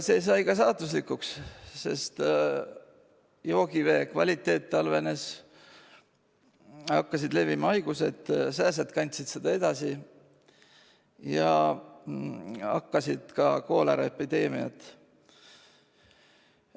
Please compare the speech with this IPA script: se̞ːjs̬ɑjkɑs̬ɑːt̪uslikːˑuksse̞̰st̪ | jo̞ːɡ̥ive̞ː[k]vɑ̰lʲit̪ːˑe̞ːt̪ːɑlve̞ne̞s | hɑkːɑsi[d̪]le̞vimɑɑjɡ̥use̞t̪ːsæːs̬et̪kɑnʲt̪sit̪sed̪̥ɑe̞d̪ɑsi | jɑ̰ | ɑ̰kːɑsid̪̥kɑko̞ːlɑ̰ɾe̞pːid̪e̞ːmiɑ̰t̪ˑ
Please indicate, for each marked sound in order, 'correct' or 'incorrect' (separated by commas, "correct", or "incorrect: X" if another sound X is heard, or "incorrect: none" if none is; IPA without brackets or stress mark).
correct, correct